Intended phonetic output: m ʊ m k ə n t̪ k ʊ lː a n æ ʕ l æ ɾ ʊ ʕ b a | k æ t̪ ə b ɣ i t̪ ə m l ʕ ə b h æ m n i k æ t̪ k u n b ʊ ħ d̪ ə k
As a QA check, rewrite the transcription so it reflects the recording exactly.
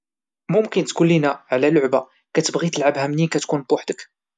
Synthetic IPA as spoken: m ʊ m k ə n t̪ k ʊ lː i n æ ʕ l æ l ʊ ʕ b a | k æ t̪ ə b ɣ i t̪ ə l ʕ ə b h æ m n i k æ t̪ k u n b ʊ ħ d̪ ə k